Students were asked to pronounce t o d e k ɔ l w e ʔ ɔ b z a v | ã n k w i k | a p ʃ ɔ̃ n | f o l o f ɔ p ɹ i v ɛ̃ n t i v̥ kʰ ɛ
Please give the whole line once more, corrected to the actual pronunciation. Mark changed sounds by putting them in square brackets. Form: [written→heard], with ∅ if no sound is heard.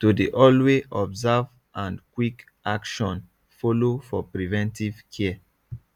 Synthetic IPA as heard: t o d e [k→ʔ] ɔ l w e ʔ ɔ b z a v | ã n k w i k | a [p→k] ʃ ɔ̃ n | f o l o f ɔ p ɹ i v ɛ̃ n t i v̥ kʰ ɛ